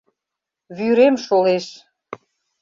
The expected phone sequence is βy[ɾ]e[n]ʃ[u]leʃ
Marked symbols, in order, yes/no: yes, no, no

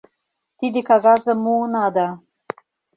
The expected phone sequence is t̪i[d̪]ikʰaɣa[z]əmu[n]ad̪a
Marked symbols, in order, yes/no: yes, yes, yes

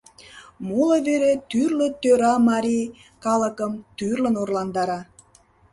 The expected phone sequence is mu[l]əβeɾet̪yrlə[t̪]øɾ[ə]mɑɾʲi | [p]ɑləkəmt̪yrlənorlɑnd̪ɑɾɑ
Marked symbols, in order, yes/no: yes, yes, no, no

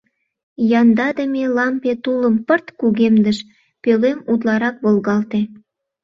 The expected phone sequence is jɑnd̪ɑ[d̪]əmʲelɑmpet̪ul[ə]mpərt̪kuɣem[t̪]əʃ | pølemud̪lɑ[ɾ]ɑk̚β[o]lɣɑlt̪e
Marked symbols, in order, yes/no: yes, yes, no, yes, yes

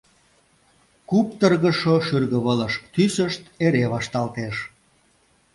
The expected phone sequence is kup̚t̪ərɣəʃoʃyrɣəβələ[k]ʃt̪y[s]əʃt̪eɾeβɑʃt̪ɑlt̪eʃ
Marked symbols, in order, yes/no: no, yes

